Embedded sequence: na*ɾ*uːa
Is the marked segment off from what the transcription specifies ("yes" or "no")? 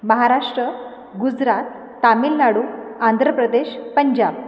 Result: yes